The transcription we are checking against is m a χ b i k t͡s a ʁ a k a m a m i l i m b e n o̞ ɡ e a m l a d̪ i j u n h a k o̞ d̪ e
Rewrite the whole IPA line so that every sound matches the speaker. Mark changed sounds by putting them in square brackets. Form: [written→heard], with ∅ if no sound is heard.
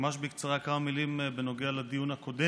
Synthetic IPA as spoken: m a [χ→ʃ] b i k t͡s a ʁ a k a m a m i l i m b e n o̞ ɡ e a [m→∅] l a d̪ i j u n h a k o̞ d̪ e